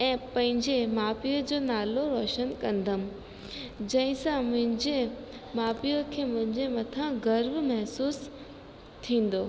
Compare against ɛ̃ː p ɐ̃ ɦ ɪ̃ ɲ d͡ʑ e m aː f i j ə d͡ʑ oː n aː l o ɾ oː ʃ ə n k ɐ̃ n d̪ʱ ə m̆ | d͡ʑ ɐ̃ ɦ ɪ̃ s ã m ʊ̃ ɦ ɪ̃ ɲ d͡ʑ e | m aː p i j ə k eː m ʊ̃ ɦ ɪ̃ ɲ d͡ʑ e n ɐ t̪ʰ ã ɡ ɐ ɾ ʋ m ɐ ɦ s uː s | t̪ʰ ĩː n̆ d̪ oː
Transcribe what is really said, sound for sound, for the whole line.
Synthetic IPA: ɛ̃ː p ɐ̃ ɦ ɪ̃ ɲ d͡ʑ e m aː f i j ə d͡ʑ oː n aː l o ɾ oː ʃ ə n k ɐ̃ n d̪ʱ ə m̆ | d͡ʑ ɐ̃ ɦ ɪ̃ s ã m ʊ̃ ɦ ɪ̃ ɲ d͡ʑ e | m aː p i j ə kʰ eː m ʊ̃ ɦ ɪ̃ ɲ d͡ʑ e m ɐ t̪ʰ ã ɡ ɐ ɾ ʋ m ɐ ɦ s uː s | t̪ʰ ĩː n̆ d̪ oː